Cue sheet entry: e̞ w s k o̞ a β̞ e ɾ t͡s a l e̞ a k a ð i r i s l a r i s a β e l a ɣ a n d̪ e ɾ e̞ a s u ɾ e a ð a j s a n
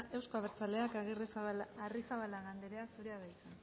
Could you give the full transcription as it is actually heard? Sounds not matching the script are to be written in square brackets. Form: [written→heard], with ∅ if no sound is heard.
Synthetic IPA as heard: e̞ w s k o̞ a β̞ e ɾ t͡s a l e̞ a k a [ð→ɣ] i r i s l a r i s a β [e→a] l a ɣ a n d̪ e ɾ e̞ a s u ɾ e a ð a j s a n